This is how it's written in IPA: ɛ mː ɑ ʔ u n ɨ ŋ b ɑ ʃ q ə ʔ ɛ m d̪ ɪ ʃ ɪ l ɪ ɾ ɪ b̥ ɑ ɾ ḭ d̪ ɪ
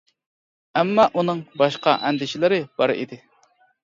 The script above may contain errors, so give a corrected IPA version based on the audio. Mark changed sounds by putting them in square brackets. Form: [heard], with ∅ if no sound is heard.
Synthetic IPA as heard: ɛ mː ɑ ʔ u n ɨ ŋ b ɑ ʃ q [ɑ] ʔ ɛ [n] d̪ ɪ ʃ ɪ l ɪ ɾ ɪ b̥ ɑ ɾ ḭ d̪ ɪ